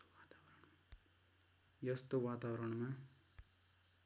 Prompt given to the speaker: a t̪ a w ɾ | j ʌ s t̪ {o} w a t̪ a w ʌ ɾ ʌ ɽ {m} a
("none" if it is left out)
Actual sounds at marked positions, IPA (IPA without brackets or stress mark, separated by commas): o, m